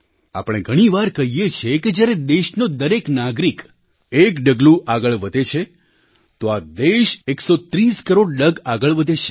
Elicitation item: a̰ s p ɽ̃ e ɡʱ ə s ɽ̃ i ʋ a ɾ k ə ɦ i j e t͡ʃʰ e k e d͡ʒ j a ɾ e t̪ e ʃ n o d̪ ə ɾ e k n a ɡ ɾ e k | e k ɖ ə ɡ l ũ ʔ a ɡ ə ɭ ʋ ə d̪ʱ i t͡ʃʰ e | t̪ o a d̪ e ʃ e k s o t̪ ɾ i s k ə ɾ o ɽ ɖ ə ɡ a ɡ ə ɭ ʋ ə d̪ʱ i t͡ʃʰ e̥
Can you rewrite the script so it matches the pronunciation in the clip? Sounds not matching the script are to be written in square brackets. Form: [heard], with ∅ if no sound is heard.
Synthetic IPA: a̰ [∅] p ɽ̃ e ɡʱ ə [∅] ɽ̃ i ʋ a ɾ k ə ɦ i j e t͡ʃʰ e k e d͡ʒ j a ɾ e [d̪] e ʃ n o d̪ ə ɾ e k n a ɡ ɾ [i] k | e k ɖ ə ɡ l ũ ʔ a ɡ ə ɭ ʋ ə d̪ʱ [e] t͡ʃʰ e | t̪ o a d̪ e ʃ e k s o t̪ ɾ i s k ə ɾ o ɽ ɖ ə ɡ a ɡ ə ɭ ʋ ə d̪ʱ [e] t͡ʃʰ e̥